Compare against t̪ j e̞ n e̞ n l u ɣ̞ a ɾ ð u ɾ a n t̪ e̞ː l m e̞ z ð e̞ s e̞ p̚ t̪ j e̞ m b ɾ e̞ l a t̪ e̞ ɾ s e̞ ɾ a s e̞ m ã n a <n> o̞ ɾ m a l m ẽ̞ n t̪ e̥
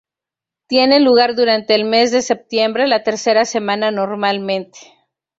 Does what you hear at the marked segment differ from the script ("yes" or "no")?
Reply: no